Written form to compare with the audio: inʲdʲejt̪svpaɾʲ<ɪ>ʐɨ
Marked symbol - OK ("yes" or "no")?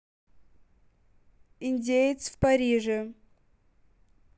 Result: no